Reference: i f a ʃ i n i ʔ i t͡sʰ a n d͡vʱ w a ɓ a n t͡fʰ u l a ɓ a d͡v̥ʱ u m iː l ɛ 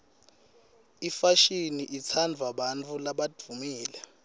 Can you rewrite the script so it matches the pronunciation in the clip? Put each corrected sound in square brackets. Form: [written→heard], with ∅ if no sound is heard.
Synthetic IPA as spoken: i f a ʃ i n i ʔ i t͡sʰ a n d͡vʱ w a ɓ a n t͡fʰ u l a ɓ a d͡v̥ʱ u m iː l ɛ